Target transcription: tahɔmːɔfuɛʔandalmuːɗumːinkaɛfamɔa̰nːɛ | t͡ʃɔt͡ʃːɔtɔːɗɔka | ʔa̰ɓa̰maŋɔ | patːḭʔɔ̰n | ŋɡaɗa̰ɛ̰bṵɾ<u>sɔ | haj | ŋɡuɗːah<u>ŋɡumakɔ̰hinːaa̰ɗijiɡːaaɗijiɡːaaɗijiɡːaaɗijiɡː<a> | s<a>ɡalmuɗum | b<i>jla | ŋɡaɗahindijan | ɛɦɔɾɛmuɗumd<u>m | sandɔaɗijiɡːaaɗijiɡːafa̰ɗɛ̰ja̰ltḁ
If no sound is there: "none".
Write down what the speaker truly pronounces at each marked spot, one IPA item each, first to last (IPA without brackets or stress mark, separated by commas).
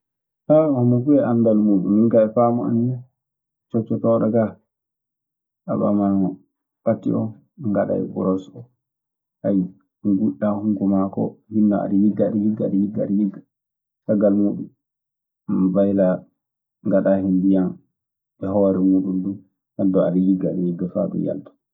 ɔ, u, a, a, a, u